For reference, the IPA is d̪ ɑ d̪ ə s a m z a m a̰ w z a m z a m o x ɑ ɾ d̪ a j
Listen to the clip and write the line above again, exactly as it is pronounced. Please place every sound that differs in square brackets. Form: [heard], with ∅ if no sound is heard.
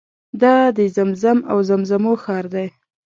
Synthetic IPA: d̪ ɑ d̪ ə [z] a m z a m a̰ w z a m z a m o x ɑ ɾ d̪ a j